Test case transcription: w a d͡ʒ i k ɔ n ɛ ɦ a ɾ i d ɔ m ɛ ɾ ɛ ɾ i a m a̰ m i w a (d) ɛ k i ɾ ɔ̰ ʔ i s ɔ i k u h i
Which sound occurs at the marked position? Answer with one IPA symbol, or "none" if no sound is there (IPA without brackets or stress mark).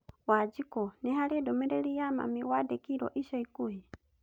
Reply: d